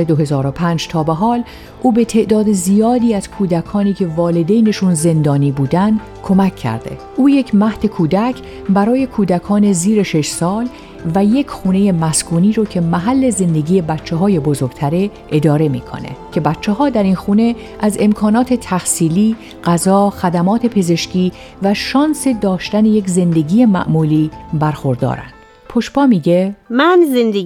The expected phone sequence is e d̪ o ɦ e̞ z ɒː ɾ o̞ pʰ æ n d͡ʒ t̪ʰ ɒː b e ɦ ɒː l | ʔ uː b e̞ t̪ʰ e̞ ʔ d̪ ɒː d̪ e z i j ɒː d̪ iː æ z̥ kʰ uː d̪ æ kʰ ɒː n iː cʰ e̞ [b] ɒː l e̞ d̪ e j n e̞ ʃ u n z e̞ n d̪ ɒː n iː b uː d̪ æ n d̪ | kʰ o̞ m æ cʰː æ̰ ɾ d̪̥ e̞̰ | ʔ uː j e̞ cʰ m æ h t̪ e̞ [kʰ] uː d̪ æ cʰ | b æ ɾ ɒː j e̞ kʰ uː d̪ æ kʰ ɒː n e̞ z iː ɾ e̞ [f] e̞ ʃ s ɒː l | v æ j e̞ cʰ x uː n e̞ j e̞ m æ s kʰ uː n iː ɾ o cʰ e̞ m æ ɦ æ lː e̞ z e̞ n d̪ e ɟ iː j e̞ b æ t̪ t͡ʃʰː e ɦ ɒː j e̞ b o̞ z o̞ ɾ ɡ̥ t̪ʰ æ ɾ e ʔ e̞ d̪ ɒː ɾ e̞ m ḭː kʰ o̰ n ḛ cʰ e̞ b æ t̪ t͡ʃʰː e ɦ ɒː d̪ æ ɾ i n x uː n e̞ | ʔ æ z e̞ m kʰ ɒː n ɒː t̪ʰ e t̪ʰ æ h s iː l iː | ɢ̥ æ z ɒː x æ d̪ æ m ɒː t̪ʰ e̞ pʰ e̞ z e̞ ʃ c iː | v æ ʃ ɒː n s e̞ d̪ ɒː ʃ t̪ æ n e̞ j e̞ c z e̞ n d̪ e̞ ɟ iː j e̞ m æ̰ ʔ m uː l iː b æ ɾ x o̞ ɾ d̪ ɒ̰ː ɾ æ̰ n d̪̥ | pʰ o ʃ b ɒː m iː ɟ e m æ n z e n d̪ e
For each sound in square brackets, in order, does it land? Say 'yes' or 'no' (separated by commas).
no, yes, no